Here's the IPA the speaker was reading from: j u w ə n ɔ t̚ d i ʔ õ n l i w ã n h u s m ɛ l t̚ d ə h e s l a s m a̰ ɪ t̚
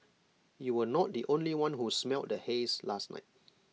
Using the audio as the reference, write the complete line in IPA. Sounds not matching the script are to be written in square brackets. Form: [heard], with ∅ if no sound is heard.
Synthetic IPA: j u w ə n ɔ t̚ d i ʔ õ n l i w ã n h u s m ɛ l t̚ d ə h e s l a s [n] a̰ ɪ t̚

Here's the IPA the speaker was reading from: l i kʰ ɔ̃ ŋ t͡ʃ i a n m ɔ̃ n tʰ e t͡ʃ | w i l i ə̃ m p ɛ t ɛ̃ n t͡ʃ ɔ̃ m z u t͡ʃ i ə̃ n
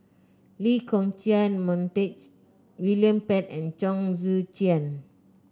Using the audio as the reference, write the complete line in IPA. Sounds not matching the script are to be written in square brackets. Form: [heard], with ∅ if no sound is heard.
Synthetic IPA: l i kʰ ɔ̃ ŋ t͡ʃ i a n m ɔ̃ n [t] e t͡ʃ | w i l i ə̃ m p ɛ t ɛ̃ n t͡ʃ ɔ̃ [ŋ] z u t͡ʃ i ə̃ n

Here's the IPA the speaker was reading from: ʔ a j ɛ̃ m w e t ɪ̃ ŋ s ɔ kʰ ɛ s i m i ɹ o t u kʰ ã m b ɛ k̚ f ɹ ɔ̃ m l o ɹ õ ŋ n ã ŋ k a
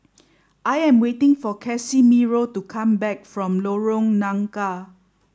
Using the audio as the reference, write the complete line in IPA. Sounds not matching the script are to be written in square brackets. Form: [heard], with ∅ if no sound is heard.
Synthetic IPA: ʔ a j ɛ̃ m w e t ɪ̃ ŋ [f] ɔ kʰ ɛ s i m i ɹ o t u kʰ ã m b ɛ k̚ f ɹ ɔ̃ m l o ɹ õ ŋ n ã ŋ k a

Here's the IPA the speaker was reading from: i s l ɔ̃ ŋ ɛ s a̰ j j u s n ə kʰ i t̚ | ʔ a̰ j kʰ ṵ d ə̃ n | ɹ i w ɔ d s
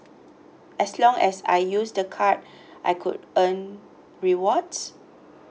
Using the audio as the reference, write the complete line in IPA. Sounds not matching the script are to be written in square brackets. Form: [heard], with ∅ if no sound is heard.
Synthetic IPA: [ɛ] s l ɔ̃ ŋ ɛ s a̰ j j u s [d] ə kʰ [a] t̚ | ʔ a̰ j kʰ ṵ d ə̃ n | ɹ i w ɔ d s

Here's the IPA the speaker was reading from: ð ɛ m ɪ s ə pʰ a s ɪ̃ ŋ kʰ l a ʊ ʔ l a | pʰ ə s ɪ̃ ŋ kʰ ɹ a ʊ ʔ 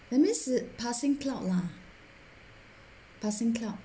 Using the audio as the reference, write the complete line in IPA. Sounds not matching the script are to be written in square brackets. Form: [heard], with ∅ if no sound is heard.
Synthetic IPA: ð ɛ m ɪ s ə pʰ a s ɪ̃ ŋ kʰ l a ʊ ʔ l a | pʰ [a] s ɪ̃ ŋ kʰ [l] a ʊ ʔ

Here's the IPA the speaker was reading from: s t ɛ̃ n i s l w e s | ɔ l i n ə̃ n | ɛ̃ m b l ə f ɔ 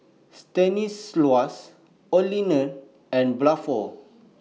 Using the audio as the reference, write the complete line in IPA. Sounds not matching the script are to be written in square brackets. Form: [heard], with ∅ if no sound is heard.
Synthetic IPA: s t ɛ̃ n i s l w [a] s | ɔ l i n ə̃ n | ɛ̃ [n] b l [a] f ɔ

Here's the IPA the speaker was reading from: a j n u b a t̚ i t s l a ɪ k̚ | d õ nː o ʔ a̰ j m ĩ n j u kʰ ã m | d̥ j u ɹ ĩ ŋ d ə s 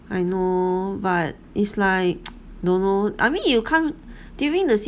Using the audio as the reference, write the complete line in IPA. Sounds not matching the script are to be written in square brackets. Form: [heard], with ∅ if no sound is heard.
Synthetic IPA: a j n [o] b a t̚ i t s l a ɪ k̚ | d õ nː o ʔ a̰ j m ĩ n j u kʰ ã m | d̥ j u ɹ ĩ ŋ d ə s

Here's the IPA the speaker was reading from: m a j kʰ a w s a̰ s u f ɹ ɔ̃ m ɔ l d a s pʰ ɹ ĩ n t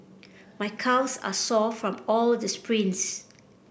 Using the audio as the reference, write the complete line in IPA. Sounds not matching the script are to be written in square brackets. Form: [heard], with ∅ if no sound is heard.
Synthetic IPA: m a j kʰ a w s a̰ s [ɔ] f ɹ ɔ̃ m ɔ l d [ə] s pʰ ɹ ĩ n [s]

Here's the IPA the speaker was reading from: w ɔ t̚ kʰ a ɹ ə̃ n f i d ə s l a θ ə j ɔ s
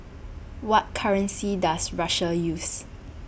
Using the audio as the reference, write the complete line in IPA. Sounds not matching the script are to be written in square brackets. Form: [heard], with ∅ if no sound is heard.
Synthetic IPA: w ɔ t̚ kʰ a ɹ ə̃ n [s] i d [a] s [ɹ] a [ʃ] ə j [u] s

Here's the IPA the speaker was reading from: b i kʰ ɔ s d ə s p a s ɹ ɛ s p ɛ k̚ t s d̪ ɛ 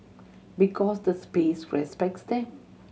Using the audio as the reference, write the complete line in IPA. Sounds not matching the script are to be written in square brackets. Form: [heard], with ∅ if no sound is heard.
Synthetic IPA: b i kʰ ɔ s d ə s p [e] s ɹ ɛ s p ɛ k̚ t s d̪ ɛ

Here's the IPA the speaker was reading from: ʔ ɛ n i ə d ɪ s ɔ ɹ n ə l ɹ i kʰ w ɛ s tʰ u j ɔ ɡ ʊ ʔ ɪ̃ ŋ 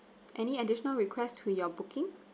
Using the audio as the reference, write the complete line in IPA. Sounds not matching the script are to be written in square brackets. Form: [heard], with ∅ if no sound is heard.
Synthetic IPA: ʔ ɛ n i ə d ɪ [ʃ] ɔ [∅] n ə l ɹ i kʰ w ɛ s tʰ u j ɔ [b] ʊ [k] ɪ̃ ŋ

